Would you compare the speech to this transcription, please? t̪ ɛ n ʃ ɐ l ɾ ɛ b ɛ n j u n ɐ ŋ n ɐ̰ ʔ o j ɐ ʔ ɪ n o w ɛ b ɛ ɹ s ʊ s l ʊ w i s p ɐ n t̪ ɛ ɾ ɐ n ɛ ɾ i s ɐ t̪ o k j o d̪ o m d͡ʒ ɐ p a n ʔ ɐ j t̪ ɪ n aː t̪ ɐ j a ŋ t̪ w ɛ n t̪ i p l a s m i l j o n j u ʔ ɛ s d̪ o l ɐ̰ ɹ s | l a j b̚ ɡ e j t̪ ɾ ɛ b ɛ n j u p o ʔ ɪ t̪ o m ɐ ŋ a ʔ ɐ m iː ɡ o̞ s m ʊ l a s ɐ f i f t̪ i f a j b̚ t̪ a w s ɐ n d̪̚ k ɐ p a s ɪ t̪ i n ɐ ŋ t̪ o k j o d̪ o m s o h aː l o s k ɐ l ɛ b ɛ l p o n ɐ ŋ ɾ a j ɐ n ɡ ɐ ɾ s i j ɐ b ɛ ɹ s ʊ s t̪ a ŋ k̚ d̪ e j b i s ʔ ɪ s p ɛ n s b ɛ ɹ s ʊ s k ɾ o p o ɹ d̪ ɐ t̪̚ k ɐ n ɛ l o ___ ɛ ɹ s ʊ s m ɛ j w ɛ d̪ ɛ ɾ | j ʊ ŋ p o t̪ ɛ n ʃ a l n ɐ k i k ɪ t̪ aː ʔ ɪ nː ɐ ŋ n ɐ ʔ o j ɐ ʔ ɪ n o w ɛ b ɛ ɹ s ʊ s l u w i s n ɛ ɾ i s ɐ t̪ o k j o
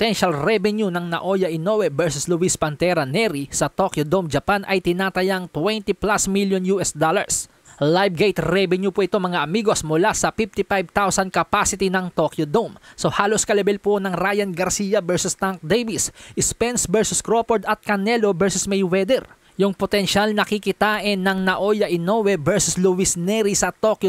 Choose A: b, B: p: A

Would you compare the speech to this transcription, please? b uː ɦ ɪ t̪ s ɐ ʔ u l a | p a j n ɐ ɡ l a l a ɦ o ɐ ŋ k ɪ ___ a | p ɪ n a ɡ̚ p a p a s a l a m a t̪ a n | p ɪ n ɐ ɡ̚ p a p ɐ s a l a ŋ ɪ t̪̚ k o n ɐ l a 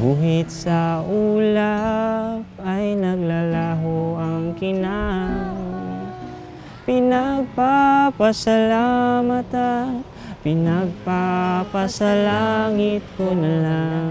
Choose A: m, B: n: B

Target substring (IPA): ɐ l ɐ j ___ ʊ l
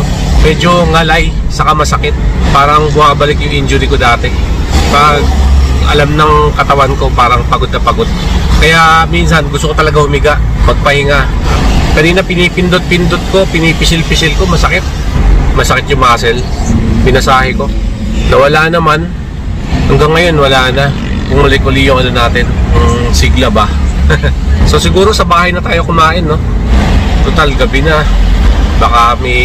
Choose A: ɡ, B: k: B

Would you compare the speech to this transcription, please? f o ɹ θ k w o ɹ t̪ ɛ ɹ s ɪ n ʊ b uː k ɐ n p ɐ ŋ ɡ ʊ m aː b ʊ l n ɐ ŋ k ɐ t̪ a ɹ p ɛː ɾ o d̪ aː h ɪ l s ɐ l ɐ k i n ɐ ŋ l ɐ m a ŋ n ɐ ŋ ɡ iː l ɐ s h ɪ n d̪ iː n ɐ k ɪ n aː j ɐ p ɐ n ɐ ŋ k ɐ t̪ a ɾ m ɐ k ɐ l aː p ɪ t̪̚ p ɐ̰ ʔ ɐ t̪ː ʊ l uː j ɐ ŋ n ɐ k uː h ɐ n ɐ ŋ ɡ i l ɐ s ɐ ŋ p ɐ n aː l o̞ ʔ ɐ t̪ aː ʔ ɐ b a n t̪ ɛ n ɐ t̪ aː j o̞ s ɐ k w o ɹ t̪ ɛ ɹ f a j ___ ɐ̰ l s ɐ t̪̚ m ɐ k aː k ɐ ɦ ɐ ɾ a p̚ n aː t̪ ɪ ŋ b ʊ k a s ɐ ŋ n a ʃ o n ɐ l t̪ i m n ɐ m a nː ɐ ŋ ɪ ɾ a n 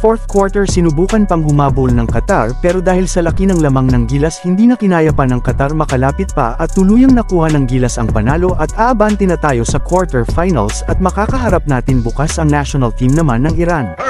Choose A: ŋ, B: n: B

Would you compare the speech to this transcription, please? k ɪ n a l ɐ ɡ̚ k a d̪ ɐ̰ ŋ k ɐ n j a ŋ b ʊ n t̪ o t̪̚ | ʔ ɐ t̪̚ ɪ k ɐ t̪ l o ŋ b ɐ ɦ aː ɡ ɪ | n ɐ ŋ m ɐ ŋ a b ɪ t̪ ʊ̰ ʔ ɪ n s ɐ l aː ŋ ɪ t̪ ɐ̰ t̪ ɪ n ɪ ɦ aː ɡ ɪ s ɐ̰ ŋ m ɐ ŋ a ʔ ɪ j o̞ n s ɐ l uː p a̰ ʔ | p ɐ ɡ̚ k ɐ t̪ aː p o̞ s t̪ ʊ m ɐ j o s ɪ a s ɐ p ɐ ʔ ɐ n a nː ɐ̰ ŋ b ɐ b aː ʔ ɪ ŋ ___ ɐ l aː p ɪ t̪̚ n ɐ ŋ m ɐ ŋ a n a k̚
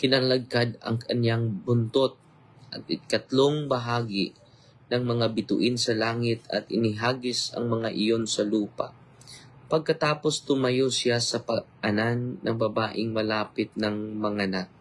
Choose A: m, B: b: A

